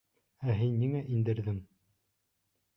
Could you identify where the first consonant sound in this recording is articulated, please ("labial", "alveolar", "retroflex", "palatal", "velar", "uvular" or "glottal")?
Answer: glottal